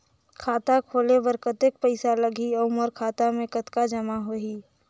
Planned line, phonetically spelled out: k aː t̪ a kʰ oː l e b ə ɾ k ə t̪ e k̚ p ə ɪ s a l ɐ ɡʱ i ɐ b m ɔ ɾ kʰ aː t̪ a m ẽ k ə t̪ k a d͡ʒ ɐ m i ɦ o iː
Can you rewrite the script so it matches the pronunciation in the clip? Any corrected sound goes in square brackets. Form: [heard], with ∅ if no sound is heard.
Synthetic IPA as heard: [kʰ] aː t̪ a kʰ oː l e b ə ɾ k ə t̪ e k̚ p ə ɪ s a l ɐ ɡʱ i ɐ [∅] m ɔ ɾ kʰ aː t̪ a m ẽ k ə t̪ k a d͡ʒ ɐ m [a] ɦ o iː

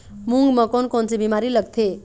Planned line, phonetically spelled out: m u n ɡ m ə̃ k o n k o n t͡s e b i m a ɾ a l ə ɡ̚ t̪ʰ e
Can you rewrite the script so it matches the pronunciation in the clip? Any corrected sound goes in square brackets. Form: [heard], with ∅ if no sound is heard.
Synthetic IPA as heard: m u [ŋ] ɡ m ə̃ k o n k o n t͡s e b i m a ɾ [i] l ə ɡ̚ t̪ʰ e

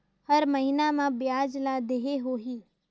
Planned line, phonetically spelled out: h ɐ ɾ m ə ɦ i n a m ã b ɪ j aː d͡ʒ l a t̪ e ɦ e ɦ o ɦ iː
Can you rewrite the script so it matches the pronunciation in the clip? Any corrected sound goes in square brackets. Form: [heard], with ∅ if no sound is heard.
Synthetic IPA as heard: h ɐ ɾ m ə ɦ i n a m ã b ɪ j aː d͡ʒ l a [d̪] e ɦ e ɦ o ɦ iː

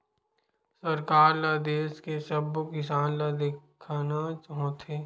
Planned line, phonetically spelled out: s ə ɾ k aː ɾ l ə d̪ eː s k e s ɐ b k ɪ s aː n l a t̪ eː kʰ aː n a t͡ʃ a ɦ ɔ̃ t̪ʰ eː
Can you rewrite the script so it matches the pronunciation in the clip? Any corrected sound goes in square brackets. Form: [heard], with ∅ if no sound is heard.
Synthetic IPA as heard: s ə ɾ k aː ɾ l [a] d̪ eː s k e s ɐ b k ɪ s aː n l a [d̪] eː kʰ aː n a t͡ʃ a ɦ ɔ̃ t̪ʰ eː

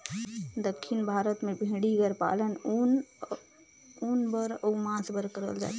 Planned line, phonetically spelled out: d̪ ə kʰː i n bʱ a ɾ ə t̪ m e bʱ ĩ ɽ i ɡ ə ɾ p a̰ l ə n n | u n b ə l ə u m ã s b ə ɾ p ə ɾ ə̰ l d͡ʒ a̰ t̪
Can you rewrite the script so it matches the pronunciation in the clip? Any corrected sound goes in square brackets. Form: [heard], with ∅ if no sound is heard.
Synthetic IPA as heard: d̪ ə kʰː i n bʱ a ɾ ə t̪ m e bʱ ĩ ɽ i ɡ ə ɾ p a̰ l ə n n | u n b ə [ɾ] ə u m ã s b ə ɾ [k] ə ɾ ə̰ l d͡ʒ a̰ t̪

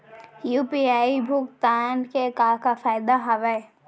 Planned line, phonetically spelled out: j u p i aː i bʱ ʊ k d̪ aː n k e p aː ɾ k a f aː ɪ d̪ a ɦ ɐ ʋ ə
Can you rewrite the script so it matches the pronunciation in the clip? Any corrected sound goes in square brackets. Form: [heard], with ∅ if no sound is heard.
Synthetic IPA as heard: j u p i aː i bʱ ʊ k [t̪] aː n k e [k] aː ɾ k a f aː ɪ d̪ a ɦ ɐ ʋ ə

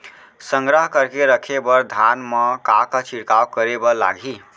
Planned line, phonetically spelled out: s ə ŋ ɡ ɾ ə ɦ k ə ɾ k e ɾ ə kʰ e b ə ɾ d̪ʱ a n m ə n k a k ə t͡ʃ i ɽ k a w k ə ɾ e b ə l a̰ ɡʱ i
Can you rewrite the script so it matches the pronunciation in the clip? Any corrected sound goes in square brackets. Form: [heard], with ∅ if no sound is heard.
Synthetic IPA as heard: s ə ŋ ɡ ɾ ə ɦ k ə ɾ k e ɾ ə kʰ e b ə ɾ d̪ʱ a n m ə [∅] k a k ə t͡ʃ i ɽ k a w k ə ɾ e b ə l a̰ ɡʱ i

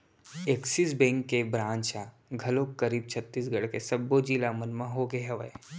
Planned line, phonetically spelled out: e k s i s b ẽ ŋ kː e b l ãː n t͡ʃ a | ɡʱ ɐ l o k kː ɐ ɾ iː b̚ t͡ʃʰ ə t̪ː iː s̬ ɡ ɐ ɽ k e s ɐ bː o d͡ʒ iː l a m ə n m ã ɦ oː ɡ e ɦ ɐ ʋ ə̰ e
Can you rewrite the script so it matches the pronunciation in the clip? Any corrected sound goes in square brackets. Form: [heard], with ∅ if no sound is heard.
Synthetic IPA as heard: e k s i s b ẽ ŋ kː e b [ɾ] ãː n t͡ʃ a | ɡʱ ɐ l o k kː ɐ ɾ iː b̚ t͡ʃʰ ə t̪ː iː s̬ ɡ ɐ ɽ k e s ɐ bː o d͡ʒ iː l a m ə n m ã ɦ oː ɡ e ɦ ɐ ʋ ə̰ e

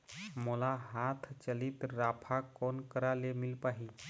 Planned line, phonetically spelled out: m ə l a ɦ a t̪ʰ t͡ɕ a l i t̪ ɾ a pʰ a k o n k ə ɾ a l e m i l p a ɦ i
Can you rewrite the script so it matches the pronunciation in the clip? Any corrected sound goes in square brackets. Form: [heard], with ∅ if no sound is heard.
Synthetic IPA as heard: m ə l a ɦ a t̪ʰ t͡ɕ [ə] l i t̪ ɾ a pʰ a k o n k ə ɾ a l e m i l p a ɦ i

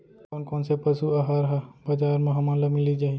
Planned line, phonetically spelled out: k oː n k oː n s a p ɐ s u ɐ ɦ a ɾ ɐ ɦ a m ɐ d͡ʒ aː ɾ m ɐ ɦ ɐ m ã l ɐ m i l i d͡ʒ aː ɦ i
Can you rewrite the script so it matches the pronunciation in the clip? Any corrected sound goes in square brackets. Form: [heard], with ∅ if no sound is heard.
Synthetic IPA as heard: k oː n k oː n s [e] p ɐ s u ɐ ɦ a ɾ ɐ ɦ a [b] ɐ d͡ʒ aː ɾ m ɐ ɦ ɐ m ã l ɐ m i l i d͡ʒ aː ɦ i

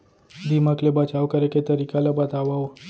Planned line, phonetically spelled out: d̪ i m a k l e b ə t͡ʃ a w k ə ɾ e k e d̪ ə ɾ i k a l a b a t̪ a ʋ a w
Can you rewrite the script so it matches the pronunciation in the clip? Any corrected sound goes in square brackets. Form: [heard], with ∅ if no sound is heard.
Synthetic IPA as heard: d̪ i m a k l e b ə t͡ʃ a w k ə ɾ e k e [t̪] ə ɾ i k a l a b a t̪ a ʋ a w

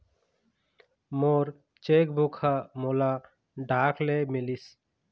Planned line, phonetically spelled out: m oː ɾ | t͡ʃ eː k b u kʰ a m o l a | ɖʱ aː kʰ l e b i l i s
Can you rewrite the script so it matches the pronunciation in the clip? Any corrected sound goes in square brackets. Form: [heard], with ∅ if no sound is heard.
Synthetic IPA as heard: m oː ɾ | t͡ʃ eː k b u kʰ a m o l a | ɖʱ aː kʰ l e [m] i l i s

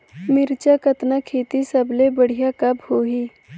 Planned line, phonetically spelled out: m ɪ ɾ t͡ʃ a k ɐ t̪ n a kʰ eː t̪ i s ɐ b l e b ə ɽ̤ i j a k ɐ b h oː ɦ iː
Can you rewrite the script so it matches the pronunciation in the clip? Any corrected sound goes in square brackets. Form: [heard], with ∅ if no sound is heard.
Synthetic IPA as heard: m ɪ ɾ t͡ʃ a k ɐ t̪ n a kʰ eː t̪ i s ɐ b l e b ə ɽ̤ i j a k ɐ b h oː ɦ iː

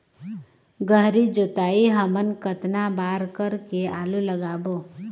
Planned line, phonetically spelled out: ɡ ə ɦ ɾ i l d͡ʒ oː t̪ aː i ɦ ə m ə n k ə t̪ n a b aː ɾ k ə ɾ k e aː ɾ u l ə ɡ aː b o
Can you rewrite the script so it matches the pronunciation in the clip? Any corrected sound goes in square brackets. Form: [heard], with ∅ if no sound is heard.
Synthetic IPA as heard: ɡ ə ɦ ɾ i [∅] d͡ʒ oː t̪ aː i ɦ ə m ə n k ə t̪ n a b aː ɾ k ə ɾ k e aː [l] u l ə ɡ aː b o

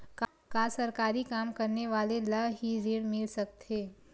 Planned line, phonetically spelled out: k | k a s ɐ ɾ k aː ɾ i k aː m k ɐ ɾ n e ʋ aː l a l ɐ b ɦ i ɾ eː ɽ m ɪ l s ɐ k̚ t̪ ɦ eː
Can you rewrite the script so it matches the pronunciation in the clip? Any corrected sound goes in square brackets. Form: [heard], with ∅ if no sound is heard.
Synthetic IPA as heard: k | k a s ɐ ɾ k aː ɾ i k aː m k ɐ ɾ n e ʋ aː l [e] l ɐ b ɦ i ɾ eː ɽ m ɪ l s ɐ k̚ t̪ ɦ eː

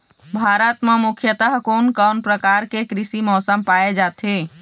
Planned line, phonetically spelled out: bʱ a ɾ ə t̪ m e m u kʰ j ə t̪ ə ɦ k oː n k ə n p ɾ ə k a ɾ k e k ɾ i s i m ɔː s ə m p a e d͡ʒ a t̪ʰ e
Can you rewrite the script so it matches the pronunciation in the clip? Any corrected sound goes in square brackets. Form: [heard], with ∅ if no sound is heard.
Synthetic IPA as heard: bʱ a ɾ ə t̪ m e m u kʰ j ə t̪ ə ɦ k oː n k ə n p ɾ ə k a ɾ k e k ɾ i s i m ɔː s ə m p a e d͡ʒ a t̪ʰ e

